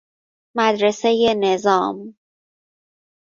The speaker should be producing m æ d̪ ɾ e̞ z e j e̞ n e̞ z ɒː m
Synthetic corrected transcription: m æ d̪ ɾ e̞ s e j e̞ n e̞ z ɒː m